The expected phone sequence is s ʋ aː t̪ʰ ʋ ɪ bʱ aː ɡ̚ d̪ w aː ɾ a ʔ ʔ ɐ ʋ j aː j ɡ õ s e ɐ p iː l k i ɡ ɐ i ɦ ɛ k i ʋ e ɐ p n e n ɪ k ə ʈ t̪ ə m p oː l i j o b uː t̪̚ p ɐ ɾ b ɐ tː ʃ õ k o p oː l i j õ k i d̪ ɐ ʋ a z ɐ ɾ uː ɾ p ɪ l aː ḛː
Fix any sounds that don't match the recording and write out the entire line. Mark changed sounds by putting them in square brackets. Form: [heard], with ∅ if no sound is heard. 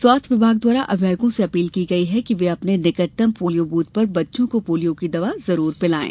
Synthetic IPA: s [w] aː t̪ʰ ʋ ɪ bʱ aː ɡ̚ d̪ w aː ɾ a ʔ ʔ ɐ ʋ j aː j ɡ õ s e ɐ p iː l k i ɡ ɐ i ɦ ɛ k i ʋ e ɐ p n e n ɪ k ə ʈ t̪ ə m p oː l i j o b uː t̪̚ p ɐ ɾ b ɐ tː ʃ õ k o p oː l i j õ k i d̪ ɐ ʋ a z ɐ ɾ uː ɾ p ɪ l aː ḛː